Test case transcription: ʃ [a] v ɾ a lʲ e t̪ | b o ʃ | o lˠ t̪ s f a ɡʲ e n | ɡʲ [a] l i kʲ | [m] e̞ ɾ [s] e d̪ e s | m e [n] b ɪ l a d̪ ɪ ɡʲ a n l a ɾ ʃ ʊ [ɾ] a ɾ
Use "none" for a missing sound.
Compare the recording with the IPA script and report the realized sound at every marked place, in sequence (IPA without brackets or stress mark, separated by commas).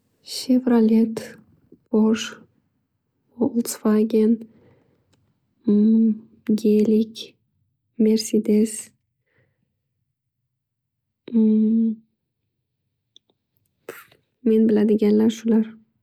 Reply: e, e, m, s, n, l